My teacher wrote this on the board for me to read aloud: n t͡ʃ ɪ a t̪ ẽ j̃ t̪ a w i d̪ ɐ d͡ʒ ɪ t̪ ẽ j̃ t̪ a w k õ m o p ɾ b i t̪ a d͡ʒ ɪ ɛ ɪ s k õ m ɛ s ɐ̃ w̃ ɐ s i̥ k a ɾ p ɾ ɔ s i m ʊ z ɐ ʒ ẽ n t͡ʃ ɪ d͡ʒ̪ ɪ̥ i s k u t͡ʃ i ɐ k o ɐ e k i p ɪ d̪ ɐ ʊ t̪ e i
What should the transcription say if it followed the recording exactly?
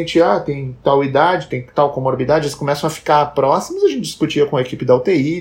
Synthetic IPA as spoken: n t͡ʃ ɪ a t̪ ẽ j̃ t̪ a w i d̪ a d͡ʒ ɪ t̪ ẽ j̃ t̪ a w k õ m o ɾ b i d̪ a d͡ʒ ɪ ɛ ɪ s k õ m ɛ s ɐ̃ w̃ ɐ f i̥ k a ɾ p ɾ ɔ s i m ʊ z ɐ ʒ ẽ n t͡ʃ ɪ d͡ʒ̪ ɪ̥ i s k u t͡ʃ i ɐ k õ ɐ e k i p ɪ d̪ ɐ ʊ t̪ e i